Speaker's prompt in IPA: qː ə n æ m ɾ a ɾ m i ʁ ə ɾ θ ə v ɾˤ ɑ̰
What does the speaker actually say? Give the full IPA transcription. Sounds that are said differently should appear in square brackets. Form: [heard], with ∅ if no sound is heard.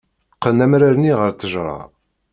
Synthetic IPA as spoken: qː ə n æ m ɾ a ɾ [n] i ʁ ə ɾ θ ə [ʒ] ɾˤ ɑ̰